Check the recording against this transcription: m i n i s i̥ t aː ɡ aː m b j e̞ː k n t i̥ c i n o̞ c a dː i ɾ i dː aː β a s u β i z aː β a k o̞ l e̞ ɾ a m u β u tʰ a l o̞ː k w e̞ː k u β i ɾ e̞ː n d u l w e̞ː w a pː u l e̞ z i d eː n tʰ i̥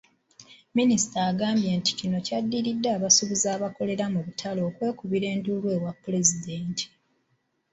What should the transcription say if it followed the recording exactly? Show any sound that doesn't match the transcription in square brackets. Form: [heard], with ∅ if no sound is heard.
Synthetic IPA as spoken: m i n i s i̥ t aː ɡ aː m b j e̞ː [∅] n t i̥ c i n o̞ c a dː i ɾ i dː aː β a s u β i z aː β a k o̞ l e̞ ɾ a m u β u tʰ a l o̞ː k w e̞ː k u β i ɾ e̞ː n d u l w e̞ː w a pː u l e̞ z i d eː n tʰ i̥